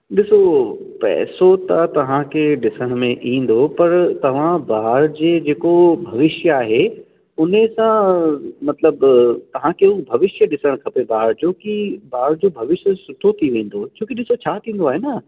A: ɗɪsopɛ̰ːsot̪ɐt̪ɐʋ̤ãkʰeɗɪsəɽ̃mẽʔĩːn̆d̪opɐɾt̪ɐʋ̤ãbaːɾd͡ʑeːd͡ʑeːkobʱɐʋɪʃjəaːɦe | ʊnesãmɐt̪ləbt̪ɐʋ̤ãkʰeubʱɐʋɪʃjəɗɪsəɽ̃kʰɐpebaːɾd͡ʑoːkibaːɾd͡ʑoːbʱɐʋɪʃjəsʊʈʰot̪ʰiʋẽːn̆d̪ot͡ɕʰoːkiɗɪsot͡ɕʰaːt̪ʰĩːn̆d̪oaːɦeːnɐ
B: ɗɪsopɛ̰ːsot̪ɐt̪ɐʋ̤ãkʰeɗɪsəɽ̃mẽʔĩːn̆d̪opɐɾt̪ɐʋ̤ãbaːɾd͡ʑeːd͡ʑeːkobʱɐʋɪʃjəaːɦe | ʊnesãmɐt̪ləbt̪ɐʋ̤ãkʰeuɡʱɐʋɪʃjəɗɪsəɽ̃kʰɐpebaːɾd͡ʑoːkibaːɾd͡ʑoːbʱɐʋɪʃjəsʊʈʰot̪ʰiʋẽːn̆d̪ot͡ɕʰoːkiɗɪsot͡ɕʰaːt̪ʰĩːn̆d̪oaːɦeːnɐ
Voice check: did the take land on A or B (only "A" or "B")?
A